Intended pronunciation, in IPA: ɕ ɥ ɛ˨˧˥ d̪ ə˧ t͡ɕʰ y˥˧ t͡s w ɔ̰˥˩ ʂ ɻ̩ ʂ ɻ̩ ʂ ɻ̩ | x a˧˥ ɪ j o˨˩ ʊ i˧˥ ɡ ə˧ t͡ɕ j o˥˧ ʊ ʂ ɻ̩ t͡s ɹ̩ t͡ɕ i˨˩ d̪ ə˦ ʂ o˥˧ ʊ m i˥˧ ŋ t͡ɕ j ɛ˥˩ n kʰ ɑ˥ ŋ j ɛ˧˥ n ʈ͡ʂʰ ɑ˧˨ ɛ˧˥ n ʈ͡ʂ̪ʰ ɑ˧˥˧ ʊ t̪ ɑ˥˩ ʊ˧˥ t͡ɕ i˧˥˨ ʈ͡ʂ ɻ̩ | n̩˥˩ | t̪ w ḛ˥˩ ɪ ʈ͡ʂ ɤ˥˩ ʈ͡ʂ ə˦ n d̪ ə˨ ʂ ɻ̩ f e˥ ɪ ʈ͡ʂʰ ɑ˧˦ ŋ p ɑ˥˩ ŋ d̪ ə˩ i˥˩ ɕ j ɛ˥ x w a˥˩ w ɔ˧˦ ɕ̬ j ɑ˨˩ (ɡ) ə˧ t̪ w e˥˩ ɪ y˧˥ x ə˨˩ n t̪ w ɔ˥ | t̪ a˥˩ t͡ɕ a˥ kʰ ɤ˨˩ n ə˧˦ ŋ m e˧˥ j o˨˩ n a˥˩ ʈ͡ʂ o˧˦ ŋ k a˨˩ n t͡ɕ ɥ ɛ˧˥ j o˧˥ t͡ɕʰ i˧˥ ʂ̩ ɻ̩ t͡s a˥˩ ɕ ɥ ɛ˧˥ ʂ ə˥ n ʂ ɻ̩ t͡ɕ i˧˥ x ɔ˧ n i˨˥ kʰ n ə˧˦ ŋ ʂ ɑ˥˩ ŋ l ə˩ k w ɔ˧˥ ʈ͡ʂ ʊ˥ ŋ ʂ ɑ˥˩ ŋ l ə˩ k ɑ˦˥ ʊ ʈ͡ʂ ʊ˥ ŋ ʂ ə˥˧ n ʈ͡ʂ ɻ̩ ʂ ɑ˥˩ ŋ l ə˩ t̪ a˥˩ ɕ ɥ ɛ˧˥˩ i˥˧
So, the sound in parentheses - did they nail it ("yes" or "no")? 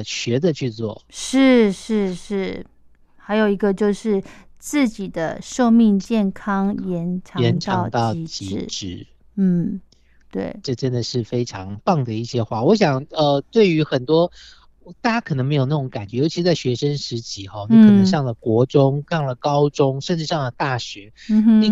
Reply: no